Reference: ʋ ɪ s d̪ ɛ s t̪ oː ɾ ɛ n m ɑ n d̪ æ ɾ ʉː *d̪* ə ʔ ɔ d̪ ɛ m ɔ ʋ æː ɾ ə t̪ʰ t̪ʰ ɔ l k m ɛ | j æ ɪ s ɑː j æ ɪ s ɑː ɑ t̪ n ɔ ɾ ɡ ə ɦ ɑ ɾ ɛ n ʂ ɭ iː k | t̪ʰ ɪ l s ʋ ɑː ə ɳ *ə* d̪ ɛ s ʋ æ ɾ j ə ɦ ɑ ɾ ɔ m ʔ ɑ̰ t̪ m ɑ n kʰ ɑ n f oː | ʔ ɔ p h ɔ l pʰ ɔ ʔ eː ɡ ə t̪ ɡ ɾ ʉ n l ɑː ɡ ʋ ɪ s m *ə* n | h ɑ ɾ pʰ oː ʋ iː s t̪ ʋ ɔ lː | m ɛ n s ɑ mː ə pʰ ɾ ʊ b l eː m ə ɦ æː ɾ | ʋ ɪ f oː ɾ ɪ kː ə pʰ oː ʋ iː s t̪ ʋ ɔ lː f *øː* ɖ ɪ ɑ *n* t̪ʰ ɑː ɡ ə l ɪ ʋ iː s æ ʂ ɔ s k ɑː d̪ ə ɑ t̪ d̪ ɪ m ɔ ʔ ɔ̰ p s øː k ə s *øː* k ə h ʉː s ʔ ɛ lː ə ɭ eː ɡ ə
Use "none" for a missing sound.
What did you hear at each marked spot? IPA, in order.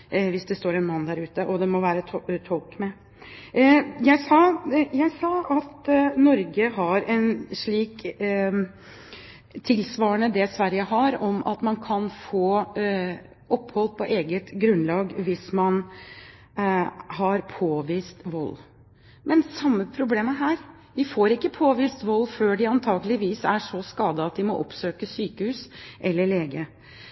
t̪, ə, ɑ, øː, n, yː

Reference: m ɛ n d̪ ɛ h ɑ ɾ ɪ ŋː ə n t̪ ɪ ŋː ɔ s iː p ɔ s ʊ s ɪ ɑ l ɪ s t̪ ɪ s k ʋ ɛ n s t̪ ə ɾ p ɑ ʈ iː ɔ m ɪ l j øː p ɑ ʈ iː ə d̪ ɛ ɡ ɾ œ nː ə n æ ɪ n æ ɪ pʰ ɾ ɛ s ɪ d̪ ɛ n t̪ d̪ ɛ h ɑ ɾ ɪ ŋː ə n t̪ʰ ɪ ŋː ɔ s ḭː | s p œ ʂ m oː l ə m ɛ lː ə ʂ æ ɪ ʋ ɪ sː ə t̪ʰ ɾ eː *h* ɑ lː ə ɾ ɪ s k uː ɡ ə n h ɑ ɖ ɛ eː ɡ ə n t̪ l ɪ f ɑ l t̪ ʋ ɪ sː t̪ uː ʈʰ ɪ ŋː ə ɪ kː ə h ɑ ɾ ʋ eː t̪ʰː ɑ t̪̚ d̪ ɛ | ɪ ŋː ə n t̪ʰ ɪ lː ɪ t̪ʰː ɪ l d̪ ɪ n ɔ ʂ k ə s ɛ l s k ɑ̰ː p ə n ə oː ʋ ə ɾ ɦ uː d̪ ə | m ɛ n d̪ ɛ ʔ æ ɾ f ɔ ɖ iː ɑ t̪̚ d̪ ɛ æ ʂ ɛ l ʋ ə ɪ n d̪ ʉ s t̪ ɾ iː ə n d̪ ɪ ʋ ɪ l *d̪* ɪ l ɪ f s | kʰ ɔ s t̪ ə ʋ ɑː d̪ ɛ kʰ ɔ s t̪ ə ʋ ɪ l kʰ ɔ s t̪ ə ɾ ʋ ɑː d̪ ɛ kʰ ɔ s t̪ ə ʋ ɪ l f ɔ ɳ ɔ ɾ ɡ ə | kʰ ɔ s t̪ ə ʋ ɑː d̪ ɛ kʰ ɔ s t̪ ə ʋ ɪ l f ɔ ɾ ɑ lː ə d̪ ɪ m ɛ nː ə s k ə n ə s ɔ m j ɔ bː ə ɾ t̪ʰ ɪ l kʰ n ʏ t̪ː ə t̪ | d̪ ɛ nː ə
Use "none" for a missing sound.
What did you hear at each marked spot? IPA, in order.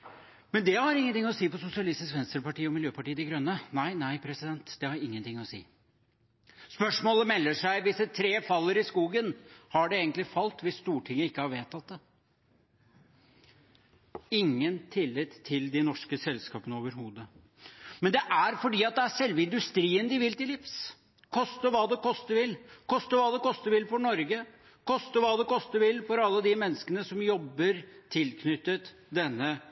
f, t̪

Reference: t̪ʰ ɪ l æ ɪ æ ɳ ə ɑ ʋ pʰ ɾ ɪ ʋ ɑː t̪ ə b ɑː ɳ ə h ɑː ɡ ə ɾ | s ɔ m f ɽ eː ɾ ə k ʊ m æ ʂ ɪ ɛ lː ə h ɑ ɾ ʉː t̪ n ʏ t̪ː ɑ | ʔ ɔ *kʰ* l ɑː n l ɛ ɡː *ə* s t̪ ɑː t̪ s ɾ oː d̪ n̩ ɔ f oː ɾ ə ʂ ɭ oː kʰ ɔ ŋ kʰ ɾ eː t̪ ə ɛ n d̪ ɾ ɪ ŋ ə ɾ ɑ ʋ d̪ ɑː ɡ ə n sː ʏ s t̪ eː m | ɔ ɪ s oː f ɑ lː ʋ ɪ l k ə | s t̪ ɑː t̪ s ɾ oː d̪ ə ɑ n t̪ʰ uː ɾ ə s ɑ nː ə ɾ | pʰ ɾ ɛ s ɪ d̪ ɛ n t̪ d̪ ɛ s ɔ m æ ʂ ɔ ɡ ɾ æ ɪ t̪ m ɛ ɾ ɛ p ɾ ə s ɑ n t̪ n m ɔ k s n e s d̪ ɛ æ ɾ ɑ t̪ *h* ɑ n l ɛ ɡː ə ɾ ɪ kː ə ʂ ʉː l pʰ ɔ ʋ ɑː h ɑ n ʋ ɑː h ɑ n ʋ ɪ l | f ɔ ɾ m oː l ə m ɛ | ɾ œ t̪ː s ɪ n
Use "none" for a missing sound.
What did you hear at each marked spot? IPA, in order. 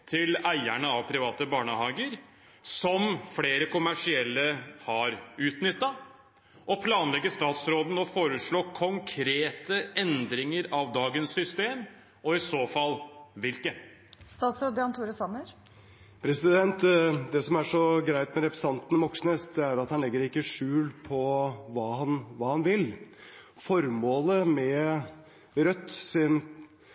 pʰ, ə, h

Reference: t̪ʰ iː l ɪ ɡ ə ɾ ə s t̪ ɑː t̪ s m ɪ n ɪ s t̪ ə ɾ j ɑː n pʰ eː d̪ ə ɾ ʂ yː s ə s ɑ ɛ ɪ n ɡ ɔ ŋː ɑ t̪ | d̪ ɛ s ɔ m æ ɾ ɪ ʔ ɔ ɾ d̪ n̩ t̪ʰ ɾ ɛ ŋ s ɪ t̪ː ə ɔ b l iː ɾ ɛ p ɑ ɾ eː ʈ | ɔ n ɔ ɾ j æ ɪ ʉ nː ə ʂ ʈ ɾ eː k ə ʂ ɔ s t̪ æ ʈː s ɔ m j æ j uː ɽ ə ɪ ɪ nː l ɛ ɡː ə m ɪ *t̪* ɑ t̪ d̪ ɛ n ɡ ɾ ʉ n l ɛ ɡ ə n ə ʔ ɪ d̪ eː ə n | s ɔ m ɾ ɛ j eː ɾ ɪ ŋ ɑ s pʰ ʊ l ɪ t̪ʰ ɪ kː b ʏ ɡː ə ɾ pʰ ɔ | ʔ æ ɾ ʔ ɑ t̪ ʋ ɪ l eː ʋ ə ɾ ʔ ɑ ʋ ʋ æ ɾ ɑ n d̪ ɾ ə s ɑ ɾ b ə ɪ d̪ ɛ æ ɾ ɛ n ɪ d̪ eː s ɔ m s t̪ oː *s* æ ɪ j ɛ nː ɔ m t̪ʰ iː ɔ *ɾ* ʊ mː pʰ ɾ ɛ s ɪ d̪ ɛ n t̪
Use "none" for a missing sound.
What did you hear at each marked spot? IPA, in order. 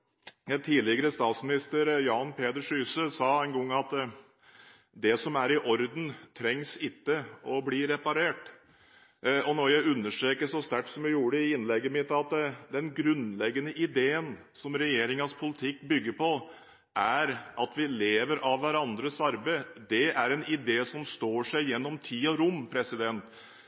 t̪, ʂ, ɾ

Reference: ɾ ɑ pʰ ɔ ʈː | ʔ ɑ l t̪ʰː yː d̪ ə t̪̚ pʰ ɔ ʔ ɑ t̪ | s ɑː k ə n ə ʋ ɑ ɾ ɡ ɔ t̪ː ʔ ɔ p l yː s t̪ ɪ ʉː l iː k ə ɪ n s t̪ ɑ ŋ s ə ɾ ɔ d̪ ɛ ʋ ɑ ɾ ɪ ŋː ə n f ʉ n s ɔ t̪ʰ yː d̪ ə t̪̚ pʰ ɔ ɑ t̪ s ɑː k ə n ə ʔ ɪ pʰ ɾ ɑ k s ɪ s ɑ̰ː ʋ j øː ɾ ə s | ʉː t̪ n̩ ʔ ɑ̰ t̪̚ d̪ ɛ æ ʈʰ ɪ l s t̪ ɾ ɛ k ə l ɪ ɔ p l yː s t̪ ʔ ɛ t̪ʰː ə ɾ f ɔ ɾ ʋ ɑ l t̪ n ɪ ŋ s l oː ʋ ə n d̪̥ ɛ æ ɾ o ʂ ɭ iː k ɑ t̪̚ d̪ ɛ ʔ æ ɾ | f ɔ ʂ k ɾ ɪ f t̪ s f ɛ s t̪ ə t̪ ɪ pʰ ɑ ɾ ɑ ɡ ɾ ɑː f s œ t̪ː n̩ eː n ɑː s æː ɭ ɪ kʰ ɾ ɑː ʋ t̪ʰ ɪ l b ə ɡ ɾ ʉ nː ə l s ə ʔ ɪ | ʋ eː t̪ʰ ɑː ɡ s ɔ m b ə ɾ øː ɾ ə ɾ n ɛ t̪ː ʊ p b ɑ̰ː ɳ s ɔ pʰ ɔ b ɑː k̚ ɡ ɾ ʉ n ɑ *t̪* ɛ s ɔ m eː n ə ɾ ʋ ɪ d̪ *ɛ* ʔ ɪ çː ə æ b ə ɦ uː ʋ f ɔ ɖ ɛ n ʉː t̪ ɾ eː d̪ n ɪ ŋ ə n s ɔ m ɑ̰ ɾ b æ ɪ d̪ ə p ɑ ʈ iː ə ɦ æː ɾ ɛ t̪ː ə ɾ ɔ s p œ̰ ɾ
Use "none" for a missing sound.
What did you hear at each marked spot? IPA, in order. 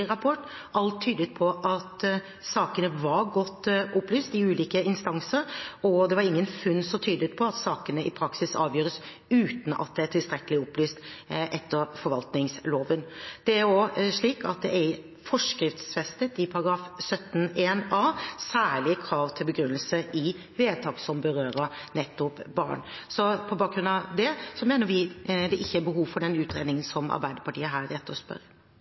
d̪, ɛ

